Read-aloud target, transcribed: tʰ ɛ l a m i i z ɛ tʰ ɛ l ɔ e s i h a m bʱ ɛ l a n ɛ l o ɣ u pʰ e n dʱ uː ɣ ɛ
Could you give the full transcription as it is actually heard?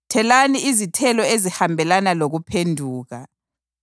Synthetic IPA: tʰ ɛ l a n i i z i tʰ ɛ l ɔ e z i h a m bʱ ɛ l a n a l o ɣ u pʰ e n dʱ uː ɣ a